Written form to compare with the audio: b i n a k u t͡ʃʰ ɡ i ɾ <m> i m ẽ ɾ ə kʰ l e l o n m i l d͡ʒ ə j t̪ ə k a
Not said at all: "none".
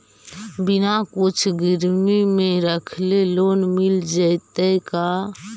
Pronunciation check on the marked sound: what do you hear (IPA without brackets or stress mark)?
m